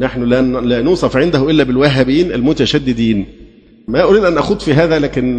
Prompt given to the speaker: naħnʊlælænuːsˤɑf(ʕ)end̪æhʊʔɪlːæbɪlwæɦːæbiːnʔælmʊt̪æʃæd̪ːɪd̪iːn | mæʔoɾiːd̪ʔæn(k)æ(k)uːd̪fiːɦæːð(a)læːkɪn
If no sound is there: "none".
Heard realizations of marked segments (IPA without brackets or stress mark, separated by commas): ʕ, ʔ, x, æ